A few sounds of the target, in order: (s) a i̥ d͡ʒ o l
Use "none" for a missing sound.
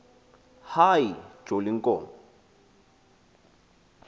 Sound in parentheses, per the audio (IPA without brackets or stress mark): h